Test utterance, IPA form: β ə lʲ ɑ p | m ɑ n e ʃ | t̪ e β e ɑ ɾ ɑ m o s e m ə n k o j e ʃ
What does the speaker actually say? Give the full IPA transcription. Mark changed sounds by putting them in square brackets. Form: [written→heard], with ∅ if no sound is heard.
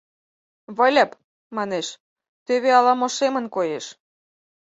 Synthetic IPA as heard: β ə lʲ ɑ p | m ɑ n e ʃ | t̪ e β e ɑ [ɾ→l] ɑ m o [s→ʃ] e m ə n k o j e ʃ